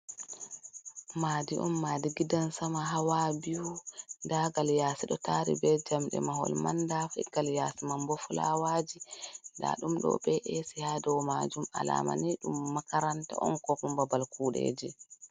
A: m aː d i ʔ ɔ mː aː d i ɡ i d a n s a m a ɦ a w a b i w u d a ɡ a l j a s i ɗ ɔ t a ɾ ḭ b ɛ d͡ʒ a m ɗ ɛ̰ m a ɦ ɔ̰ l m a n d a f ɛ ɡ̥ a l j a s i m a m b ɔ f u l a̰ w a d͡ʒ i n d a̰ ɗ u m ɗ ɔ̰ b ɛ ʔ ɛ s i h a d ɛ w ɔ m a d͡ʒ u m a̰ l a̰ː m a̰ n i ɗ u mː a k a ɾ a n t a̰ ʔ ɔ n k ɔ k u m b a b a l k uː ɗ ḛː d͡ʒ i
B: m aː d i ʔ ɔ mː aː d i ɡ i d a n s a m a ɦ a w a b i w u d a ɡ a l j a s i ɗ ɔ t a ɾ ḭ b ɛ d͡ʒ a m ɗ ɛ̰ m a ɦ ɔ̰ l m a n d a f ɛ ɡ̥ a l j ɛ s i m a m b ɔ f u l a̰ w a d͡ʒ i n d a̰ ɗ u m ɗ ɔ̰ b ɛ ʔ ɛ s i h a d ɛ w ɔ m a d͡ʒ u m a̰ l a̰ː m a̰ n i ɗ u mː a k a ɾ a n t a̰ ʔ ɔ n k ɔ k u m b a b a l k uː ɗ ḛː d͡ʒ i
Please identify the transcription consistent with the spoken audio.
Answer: A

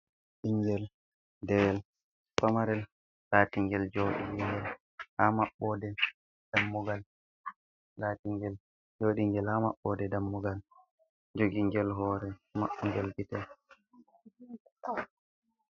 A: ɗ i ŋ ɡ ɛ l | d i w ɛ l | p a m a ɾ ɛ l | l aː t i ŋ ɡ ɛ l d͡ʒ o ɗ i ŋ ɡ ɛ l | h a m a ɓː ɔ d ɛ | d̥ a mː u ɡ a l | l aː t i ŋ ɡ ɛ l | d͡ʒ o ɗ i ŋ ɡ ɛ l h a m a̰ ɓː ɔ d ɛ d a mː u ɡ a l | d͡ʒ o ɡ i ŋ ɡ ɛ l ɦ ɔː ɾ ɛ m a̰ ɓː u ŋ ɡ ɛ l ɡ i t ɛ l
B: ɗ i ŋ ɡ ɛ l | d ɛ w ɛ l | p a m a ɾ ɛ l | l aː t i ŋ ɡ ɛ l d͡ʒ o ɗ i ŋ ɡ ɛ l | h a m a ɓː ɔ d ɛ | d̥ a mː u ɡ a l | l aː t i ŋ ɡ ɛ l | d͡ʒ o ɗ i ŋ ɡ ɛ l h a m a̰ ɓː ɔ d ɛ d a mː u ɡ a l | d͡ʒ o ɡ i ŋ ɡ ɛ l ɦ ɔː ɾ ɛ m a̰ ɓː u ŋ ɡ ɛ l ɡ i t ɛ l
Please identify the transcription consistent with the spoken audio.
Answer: B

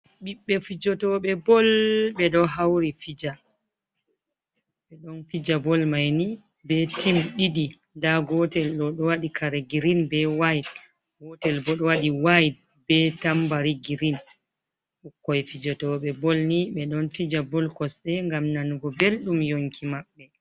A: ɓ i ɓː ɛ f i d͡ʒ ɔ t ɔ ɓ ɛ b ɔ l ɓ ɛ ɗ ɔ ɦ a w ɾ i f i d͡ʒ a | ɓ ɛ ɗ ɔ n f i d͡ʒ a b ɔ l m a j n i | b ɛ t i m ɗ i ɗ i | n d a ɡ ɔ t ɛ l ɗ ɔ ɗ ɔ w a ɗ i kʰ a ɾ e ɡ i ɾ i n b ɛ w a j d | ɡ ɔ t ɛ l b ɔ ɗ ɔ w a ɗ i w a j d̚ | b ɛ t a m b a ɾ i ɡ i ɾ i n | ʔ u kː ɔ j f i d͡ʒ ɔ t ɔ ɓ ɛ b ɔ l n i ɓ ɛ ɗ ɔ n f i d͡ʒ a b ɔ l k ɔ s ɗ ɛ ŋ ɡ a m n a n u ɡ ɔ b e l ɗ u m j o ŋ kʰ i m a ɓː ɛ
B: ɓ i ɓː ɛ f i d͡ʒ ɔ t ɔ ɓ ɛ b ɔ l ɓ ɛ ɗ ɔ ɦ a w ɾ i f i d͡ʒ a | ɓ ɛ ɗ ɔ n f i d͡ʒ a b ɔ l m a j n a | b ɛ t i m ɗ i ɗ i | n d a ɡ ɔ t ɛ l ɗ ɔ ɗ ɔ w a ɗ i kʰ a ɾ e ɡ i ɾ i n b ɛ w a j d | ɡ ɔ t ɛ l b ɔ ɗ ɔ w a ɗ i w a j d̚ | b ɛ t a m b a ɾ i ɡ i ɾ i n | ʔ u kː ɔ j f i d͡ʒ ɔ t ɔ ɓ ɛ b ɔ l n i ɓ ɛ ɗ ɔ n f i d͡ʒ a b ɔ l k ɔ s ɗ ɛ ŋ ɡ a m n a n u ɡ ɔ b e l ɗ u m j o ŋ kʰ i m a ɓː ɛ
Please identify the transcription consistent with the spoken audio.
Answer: A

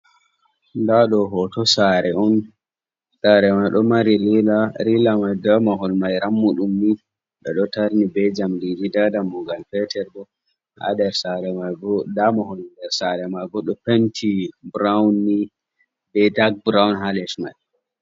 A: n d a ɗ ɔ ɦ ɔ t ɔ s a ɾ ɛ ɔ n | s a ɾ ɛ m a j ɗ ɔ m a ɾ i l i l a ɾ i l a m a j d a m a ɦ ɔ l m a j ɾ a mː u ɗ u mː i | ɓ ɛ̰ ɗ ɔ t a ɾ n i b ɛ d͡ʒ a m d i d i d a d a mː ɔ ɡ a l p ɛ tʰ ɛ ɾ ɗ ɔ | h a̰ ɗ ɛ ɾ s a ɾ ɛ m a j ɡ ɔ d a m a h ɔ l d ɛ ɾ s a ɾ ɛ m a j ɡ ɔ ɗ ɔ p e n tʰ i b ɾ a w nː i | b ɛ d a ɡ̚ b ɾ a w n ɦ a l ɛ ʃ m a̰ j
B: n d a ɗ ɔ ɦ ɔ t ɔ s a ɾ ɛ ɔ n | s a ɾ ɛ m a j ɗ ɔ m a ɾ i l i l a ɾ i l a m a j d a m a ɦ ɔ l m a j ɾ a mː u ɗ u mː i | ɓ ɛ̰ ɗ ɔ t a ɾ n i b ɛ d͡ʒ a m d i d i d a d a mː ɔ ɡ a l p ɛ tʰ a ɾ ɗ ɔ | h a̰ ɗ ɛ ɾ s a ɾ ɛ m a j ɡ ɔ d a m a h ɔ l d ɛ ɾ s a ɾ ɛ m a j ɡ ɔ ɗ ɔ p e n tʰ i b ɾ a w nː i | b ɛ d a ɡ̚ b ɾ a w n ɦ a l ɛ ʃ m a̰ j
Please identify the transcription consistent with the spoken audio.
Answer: A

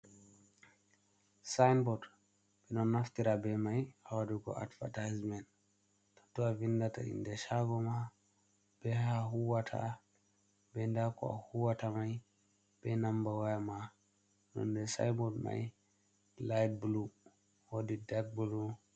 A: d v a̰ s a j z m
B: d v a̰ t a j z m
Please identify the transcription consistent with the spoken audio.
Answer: B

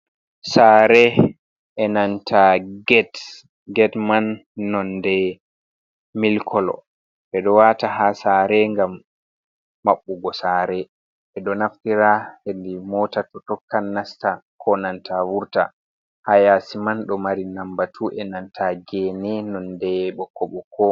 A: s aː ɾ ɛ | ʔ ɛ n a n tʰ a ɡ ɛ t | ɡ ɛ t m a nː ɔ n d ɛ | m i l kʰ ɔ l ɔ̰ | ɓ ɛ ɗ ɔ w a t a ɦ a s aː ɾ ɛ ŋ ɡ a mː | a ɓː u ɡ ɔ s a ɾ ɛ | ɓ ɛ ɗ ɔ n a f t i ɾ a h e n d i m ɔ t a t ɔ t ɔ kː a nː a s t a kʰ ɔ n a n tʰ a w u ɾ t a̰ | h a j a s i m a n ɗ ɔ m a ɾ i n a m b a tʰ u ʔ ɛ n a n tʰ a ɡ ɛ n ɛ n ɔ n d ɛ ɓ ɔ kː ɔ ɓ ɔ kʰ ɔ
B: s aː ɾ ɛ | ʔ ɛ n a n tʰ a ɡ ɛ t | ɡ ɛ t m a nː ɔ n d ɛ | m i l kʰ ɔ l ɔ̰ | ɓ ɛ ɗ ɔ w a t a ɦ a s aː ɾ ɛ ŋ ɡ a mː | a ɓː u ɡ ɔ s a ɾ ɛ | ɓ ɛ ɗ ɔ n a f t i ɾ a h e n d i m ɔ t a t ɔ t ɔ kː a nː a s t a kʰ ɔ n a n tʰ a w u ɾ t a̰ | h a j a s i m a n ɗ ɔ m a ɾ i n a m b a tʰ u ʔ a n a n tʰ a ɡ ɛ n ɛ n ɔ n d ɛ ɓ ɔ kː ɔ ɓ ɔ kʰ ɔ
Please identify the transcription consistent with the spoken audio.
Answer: A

